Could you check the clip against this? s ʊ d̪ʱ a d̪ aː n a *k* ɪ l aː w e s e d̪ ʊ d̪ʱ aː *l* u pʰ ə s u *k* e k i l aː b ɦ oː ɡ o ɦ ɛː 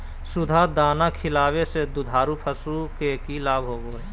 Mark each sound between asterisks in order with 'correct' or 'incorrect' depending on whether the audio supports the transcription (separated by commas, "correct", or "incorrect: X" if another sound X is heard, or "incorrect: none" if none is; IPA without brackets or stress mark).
incorrect: kʰ, incorrect: ɾ, correct